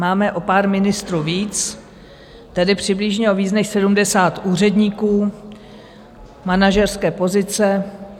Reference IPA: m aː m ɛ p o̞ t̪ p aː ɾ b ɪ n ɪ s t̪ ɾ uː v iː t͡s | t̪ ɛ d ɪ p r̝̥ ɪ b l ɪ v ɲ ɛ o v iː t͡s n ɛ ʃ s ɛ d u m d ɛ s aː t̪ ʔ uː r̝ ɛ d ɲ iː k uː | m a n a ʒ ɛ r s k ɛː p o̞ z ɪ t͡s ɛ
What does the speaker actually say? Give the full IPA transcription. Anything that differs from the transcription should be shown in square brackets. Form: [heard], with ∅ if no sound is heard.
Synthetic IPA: m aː m ɛ [ʔ] o̞ [∅] p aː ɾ [m] ɪ n ɪ s t̪ ɾ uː v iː t͡s | t̪ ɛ d ɪ p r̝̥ ɪ b l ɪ [ʒ] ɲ ɛ o v iː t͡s n ɛ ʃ s ɛ d u m d ɛ s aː t̪ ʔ uː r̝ ɛ d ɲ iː k uː | m a n a ʒ ɛ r s k ɛː p o̞ z ɪ t͡s ɛ

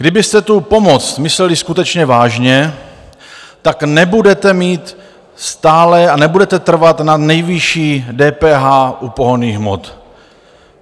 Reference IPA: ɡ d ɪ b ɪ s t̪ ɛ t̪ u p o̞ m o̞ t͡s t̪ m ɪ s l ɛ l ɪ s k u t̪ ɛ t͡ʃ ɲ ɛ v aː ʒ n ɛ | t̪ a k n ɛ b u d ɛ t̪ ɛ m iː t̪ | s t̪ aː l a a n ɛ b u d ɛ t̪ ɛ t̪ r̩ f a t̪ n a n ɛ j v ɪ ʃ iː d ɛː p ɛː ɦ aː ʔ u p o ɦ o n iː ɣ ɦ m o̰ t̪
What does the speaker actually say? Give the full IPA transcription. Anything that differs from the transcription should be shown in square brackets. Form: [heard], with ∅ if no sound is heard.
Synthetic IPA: ɡ d ɪ b ɪ s t̪ ɛ t̪ u p o̞ m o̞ t͡s t̪ m ɪ s l ɛ l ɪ s k u t̪ ɛ t͡ʃ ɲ ɛ v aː ʒ [ɲ] ɛ | t̪ a k n ɛ b u d ɛ t̪ ɛ m iː t̪ | s t̪ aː l [ɛ] a n ɛ b u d ɛ t̪ ɛ t̪ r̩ [v] a t̪ n a n ɛ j v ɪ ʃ iː d ɛː p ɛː ɦ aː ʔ u p o ɦ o n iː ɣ ɦ m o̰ t̪

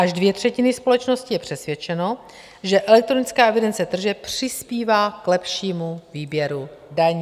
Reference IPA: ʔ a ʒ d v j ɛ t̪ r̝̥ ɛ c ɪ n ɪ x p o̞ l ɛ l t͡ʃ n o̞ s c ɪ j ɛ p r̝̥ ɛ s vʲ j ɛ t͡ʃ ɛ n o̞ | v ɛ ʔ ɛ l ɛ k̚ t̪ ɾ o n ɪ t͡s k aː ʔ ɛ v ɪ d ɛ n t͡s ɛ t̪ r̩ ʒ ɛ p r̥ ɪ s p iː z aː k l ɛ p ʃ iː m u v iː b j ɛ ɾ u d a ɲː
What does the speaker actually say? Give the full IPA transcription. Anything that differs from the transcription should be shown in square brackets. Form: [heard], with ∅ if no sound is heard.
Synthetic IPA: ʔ a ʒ d v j ɛ t̪ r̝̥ ɛ c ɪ n ɪ [s] p o̞ l ɛ [∅] t͡ʃ n o̞ s c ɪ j ɛ p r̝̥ ɛ s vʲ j ɛ t͡ʃ ɛ n o̞ | [ʒ] ɛ ʔ ɛ l ɛ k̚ t̪ ɾ o n ɪ t͡s k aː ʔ ɛ v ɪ d ɛ n t͡s ɛ t̪ r̩ ʒ ɛ p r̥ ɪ s p iː [v] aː k l ɛ p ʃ iː m u v iː b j ɛ ɾ u d a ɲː

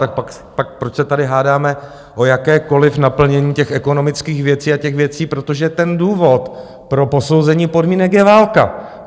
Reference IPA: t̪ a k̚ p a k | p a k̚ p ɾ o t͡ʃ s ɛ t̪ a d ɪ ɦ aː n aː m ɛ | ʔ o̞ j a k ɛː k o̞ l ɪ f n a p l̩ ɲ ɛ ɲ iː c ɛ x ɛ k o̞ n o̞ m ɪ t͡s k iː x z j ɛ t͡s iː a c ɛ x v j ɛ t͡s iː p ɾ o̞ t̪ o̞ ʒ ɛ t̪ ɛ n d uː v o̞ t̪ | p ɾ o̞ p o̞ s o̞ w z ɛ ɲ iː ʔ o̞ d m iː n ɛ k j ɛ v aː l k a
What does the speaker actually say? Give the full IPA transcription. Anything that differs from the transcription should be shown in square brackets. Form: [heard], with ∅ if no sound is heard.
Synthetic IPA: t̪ a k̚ p a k | p a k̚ p ɾ o t͡ʃ s ɛ t̪ a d ɪ ɦ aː [d] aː m ɛ | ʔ o̞ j a k ɛː k o̞ l ɪ f n a p l̩ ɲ ɛ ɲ iː c ɛ x ɛ k o̞ n o̞ m ɪ t͡s k iː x [v] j ɛ t͡s iː a c ɛ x v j ɛ t͡s iː p ɾ o̞ t̪ o̞ ʒ ɛ t̪ ɛ n d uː v o̞ t̪ | p ɾ o̞ p o̞ s o̞ w z ɛ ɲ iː [p] o̞ d m iː n ɛ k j ɛ v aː l k a

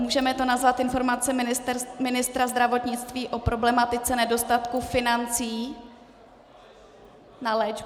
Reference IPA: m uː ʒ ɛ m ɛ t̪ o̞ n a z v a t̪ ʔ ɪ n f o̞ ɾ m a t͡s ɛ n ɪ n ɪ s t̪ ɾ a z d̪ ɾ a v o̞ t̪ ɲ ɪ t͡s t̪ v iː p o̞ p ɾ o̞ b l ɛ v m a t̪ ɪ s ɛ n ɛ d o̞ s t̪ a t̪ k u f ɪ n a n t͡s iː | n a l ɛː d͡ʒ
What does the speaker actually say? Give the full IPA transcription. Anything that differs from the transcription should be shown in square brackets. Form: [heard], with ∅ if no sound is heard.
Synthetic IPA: m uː ʒ ɛ m ɛ t̪ o̞ n a z v a t̪ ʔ ɪ n f o̞ ɾ m a t͡s ɛ [m] ɪ n ɪ s t̪ ɾ a z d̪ ɾ a v o̞ t̪ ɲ ɪ t͡s t̪ v iː [ʔ] o̞ p ɾ o̞ b l ɛ [∅] m a t̪ ɪ [t͡s] ɛ n ɛ d o̞ s t̪ a t̪ k u f ɪ n a n t͡s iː | n a l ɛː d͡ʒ

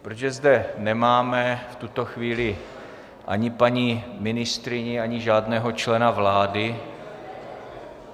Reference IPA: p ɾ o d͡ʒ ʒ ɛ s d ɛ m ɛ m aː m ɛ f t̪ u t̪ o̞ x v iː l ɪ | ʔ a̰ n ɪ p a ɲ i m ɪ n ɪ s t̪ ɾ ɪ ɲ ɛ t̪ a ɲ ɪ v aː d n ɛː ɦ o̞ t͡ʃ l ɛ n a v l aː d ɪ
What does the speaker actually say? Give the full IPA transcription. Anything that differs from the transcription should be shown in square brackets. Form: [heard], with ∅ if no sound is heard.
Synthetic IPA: p ɾ o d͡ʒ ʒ ɛ [z] d ɛ [n] ɛ m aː m ɛ f t̪ u t̪ o̞ x v iː l ɪ | ʔ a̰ [ɲ] ɪ p a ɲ i m ɪ n ɪ s t̪ ɾ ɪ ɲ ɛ [∅] a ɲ ɪ [ʒ] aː d n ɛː ɦ o̞ t͡ʃ l ɛ n a v l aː d ɪ

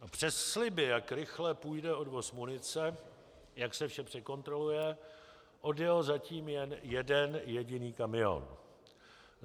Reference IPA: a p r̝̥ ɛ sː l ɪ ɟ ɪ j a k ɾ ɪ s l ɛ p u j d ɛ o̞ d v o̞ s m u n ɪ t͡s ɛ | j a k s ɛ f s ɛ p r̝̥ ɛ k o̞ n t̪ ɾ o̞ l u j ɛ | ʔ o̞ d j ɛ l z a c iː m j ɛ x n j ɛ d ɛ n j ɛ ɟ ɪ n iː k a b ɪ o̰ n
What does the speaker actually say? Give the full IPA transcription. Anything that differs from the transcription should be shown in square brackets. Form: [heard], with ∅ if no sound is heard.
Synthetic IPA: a p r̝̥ ɛ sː l ɪ [b] ɪ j a k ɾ ɪ [x] l ɛ p u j d ɛ o̞ d v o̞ s m u n ɪ t͡s ɛ | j a k s ɛ f [ʃ] ɛ p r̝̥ ɛ k o̞ n t̪ ɾ o̞ l u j ɛ | ʔ o̞ d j ɛ l z a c iː m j ɛ [∅] n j ɛ d ɛ n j ɛ ɟ ɪ n iː k a [m] ɪ o̰ n

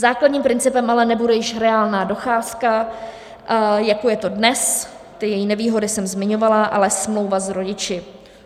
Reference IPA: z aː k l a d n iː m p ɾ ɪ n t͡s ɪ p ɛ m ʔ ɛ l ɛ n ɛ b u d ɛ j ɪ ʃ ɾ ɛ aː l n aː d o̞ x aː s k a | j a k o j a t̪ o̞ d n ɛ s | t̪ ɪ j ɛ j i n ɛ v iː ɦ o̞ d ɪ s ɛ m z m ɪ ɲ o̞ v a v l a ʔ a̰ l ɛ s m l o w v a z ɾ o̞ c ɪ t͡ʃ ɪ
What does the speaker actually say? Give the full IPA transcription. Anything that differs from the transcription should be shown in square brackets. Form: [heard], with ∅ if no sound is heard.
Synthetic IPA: z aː k l a d [ɲ] iː m p ɾ ɪ n t͡s ɪ p ɛ m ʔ [a] l ɛ n ɛ b u d ɛ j ɪ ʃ ɾ ɛ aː l n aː d o̞ x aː s k a | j a k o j [ɛ] t̪ o̞ d n ɛ s | t̪ ɪ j ɛ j i n ɛ v iː ɦ o̞ d ɪ s ɛ m z m ɪ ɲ o̞ v a [∅] l a ʔ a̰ l ɛ s m l o w v a z ɾ o̞ [ɟ] ɪ t͡ʃ ɪ

